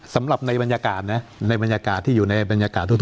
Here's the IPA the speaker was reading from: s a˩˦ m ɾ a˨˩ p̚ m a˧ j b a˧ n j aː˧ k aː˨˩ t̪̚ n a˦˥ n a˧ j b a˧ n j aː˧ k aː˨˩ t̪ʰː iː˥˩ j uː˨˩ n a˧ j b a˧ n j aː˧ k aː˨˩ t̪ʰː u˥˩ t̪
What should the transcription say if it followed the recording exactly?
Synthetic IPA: s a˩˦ m ɾ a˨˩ p̚ n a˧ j b a˧ n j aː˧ k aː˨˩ t̪̚ n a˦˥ n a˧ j b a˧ n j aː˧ k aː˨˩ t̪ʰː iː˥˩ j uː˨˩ n a˧ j b a˧ n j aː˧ k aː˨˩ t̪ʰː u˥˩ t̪